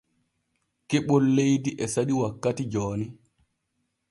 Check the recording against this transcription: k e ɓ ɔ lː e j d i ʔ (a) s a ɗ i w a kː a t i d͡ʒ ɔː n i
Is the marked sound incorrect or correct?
incorrect: ɛ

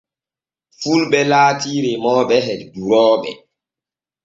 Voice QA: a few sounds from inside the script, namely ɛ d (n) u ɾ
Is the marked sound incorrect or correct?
incorrect: d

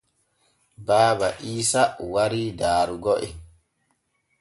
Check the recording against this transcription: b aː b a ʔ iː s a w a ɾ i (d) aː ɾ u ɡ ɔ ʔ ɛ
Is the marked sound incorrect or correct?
correct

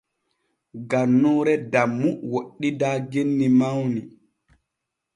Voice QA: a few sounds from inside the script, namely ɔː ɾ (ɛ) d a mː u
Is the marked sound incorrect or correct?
correct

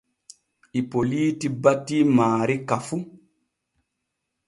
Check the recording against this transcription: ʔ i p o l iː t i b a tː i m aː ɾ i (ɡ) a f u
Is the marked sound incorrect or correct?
incorrect: k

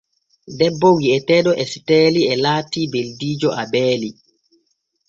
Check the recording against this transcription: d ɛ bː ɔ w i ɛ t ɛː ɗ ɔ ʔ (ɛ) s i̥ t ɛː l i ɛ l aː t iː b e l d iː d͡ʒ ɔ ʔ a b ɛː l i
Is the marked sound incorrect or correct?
correct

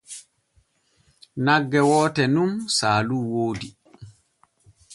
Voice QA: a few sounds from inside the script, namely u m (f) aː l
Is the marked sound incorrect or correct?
incorrect: s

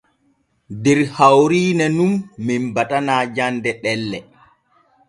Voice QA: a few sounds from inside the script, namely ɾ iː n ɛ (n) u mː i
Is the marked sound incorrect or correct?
correct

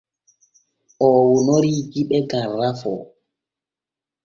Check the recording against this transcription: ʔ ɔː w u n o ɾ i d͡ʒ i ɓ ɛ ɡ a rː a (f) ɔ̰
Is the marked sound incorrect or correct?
correct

